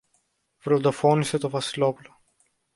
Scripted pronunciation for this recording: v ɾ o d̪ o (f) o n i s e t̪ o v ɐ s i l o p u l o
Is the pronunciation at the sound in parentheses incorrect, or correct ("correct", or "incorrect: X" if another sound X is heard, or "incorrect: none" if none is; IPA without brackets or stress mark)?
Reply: correct